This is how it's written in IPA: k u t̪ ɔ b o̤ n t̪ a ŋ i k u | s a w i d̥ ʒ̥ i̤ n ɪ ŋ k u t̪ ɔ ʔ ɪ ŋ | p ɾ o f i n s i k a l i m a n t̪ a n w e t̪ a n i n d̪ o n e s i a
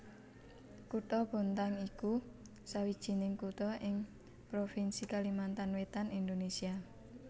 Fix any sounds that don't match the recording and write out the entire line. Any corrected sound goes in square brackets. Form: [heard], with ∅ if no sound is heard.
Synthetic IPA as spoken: k u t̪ ɔ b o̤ n t̪ a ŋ i k u | s a w i d̥ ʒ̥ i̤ n ɪ ŋ k u t̪ ɔ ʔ ɪ ŋ | p ɾ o f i n s i k a l i m a n t̪ a n w e t̪ a n i n d̪ o n e s i a